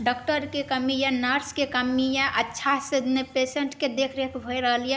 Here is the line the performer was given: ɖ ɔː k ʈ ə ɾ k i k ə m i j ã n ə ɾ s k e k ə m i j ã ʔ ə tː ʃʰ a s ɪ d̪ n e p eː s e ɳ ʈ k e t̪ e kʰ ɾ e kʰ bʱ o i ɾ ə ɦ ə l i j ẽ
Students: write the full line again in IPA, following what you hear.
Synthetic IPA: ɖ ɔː k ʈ ə ɾ k e k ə m i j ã n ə ɾ s k e k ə m i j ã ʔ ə tː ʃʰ a s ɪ d̪ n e p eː s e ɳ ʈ k e d̪ e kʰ ɾ e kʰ bʱ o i ɾ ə ɦ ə l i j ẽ